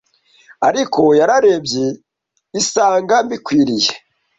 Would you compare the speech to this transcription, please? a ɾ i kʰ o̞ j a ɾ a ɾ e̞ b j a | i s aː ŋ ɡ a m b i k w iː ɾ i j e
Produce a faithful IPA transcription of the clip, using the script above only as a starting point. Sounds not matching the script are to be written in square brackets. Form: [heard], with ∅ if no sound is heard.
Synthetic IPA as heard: a ɾ i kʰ o̞ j a ɾ a ɾ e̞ b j [e] | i s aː ŋ ɡ a m b i k w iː ɾ i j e